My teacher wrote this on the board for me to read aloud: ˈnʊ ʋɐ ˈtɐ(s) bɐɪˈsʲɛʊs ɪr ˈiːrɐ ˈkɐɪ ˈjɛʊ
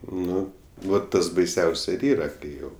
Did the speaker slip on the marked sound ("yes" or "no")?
no